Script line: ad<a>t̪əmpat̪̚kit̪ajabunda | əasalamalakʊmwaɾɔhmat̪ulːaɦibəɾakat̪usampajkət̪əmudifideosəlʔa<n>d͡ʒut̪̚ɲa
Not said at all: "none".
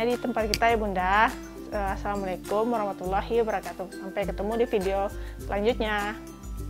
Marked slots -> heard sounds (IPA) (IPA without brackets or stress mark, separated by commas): i, ɲ